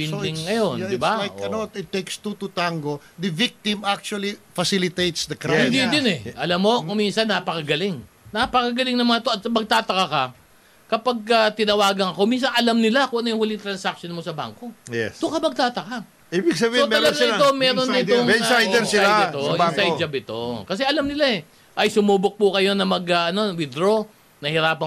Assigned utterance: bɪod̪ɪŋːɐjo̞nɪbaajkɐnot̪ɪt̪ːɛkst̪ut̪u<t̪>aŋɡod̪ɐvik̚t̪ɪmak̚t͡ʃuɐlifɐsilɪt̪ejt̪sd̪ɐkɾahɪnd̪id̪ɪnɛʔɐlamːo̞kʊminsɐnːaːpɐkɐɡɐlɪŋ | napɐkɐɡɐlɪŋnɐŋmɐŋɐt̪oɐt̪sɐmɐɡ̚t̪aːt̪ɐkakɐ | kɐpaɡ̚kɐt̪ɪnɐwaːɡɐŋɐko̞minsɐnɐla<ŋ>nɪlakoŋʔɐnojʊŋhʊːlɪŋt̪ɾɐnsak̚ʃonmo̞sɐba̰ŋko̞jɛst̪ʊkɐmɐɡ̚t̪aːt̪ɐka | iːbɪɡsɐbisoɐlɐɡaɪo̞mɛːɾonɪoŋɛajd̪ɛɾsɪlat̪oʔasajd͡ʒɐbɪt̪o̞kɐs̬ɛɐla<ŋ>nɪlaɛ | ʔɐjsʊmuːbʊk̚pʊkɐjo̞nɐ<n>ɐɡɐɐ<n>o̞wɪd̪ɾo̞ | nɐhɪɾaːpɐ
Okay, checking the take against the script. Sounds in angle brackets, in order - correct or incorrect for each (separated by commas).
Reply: correct, incorrect, incorrect, incorrect, correct